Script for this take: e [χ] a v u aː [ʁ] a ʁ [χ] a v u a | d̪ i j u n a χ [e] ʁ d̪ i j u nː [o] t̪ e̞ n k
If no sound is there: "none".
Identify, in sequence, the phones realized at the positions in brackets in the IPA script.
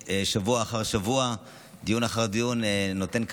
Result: ʃ, χ, ʃ, a, o

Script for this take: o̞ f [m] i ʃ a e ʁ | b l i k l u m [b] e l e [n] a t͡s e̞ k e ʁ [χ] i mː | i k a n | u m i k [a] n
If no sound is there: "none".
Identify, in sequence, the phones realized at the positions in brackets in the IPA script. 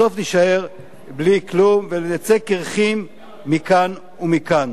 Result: n, v, n, χ, a

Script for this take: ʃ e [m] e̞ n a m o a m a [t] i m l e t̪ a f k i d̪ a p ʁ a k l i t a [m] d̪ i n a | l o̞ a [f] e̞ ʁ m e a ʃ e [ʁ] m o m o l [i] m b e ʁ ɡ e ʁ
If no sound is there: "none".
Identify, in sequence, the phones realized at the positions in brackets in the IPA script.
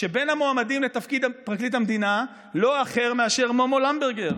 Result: b, d, m, χ, ʁ, a

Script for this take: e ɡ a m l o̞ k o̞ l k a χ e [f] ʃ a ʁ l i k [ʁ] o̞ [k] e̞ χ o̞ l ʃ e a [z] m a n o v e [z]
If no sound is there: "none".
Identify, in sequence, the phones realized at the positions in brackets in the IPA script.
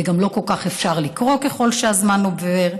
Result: f, ʁ, k, z, ʁ

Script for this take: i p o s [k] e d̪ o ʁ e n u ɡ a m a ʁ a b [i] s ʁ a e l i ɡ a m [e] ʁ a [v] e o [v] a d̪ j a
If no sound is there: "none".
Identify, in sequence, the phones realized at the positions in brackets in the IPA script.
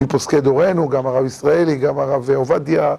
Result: k, i, a, v, v

